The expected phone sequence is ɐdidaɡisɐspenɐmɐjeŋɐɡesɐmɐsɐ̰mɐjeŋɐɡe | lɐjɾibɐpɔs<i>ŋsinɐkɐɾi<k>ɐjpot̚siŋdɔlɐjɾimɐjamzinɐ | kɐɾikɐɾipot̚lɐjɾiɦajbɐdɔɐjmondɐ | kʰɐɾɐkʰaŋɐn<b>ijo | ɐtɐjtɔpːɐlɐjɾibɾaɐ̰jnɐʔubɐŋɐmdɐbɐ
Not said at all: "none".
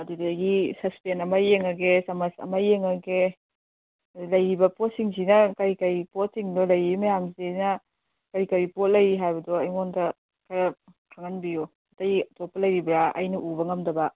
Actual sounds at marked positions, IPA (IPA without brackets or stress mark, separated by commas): i, k, b